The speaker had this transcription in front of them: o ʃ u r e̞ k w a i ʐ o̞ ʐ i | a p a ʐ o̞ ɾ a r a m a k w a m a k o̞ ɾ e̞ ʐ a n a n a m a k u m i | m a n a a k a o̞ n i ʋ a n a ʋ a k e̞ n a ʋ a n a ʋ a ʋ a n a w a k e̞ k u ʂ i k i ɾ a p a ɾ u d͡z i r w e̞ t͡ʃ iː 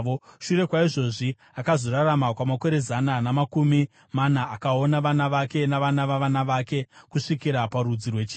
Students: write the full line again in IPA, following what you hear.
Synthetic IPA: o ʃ u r e̞ k w a i ʐ o̞ ʐ i | a k a z o̞ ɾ a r a m a k w a m a k o̞ ɾ e̞ z a n a n a m a k u m i | m a n a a k a o̞ n a ʋ a n a ʋ a k e̞ n a ʋ a n a ʋ a ʋ a n a ʋ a k e̞ k u ʂ i k i ɾ a p a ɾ u d͡z i r w e̞ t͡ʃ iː